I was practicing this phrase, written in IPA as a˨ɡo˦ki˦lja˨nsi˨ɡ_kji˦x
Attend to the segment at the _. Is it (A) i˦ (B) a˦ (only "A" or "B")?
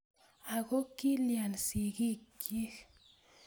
A